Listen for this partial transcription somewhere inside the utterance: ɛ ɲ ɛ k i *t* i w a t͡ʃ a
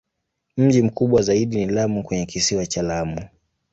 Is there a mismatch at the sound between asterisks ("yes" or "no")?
yes